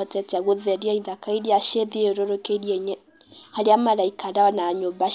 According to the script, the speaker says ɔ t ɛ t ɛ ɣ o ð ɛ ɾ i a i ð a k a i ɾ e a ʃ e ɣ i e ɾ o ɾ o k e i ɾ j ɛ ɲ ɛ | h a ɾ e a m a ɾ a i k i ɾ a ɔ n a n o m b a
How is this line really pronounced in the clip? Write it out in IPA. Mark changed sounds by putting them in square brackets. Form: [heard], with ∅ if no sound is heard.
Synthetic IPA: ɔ t ɛ t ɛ ɣ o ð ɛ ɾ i a i ð a k a i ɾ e a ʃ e [ð] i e ɾ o ɾ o k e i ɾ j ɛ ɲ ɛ | h a ɾ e a m a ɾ a i k [a] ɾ a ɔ n a [ɲ] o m b a